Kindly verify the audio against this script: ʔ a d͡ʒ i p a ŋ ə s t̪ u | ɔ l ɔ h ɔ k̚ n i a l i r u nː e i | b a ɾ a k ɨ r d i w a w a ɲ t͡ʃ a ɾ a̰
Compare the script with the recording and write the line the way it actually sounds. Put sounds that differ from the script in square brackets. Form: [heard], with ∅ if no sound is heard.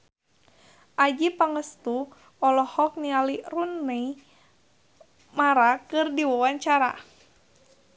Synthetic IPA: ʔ a d͡ʒ i p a ŋ ə s t̪ u | ɔ l ɔ h ɔ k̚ n i a l i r u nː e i | [m] a ɾ a k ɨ r d i w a w a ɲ t͡ʃ a ɾ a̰